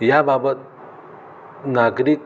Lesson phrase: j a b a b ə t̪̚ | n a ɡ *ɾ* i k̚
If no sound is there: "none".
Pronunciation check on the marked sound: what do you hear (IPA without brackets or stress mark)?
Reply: ɾ